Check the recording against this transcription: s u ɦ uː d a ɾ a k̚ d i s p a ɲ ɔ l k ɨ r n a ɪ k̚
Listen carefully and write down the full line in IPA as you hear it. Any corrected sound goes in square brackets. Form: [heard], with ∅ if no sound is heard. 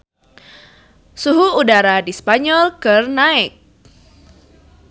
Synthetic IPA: s u ɦ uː d a ɾ a [∅] d i s p a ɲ ɔ l k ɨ r n a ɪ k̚